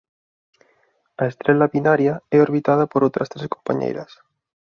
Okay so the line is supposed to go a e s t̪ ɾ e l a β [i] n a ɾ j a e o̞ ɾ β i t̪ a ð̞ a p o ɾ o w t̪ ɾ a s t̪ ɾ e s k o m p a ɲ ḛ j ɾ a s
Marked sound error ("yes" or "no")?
no